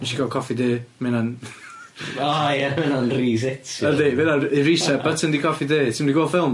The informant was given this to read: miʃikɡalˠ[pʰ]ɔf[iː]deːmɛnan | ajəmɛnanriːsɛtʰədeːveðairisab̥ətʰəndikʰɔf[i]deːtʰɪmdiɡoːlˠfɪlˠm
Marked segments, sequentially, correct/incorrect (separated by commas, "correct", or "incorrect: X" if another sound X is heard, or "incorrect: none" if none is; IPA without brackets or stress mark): incorrect: kʰ, incorrect: i, correct